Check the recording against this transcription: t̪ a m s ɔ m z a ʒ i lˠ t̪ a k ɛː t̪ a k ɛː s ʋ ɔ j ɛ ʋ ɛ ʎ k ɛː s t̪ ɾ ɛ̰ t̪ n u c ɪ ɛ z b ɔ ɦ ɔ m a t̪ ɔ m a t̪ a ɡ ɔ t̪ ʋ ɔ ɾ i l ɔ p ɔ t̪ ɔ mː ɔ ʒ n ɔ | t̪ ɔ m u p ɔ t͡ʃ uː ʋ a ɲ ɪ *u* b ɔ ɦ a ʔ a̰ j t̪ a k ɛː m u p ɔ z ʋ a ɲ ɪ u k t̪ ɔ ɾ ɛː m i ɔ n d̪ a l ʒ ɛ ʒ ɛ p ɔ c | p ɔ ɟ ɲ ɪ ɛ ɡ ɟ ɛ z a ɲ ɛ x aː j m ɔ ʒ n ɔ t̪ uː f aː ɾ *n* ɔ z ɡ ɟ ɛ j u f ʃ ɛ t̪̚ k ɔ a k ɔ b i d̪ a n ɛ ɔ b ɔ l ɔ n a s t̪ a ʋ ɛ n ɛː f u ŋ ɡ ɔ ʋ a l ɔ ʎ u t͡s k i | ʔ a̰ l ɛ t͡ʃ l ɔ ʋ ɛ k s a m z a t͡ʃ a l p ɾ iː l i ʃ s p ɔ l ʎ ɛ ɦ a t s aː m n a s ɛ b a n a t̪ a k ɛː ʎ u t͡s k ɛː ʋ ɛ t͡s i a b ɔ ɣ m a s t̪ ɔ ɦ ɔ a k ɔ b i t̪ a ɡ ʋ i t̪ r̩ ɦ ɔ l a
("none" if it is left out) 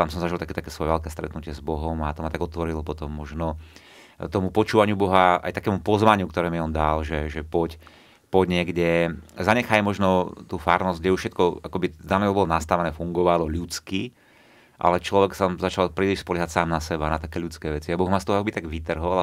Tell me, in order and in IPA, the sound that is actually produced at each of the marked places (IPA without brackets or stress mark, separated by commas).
u, n